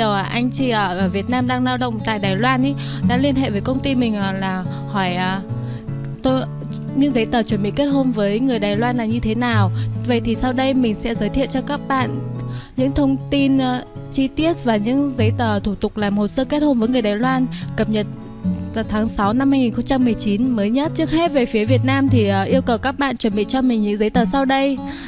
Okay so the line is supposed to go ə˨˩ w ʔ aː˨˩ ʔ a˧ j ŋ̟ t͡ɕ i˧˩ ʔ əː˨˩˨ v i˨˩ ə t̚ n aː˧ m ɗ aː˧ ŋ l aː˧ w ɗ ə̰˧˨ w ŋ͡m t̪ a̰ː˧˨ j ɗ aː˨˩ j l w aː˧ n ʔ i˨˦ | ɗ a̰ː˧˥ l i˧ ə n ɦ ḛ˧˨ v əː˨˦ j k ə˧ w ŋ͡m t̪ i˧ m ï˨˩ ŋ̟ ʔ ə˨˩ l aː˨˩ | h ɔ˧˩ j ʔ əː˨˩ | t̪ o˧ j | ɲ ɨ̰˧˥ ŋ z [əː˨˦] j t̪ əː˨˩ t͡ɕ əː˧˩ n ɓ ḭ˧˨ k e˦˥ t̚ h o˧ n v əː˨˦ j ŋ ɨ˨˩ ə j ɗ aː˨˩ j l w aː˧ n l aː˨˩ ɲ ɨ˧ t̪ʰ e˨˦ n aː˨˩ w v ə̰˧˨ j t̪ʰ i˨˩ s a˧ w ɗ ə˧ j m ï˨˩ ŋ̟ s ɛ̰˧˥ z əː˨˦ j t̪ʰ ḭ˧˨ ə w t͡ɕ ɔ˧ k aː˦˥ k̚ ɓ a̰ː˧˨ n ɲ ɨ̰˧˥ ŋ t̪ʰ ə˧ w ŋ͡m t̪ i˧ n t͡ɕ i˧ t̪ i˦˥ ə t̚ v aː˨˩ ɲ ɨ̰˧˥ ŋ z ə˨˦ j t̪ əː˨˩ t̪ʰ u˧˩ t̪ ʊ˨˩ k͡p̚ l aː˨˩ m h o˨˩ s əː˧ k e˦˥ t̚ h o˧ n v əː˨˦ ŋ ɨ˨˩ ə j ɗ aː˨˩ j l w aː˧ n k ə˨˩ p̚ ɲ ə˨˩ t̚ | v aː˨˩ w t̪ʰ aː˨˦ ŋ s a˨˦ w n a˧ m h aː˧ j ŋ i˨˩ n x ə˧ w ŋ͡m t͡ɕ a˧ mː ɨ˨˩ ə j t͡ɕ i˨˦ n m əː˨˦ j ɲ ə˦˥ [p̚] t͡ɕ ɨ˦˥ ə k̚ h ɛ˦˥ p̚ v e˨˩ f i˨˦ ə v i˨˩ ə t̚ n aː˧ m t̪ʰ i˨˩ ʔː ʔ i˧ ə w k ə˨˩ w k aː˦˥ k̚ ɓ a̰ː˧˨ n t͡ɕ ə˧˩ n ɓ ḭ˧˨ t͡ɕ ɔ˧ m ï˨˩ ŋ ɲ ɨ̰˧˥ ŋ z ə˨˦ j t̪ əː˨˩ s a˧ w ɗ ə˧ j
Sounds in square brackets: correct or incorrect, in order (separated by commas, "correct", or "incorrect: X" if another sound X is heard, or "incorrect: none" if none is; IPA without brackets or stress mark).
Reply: incorrect: ə˨˦, incorrect: t̚